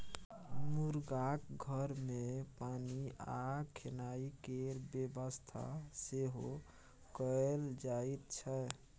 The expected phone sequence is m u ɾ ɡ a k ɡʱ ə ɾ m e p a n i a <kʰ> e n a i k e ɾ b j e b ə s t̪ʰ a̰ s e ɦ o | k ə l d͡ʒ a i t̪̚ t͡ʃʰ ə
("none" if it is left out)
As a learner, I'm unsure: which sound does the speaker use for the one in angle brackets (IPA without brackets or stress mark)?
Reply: kʰ